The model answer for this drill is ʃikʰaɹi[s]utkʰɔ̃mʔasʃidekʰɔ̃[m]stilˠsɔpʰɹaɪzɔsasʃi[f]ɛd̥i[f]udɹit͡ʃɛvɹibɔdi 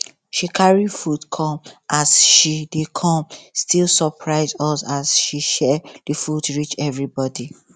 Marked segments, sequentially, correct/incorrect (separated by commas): incorrect, correct, incorrect, correct